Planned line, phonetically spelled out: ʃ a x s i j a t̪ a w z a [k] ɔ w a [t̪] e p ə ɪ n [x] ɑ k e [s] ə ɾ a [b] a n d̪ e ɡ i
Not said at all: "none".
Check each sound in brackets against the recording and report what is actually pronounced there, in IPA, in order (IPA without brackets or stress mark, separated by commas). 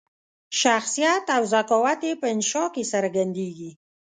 k, t̪, ʃ, s, ɡ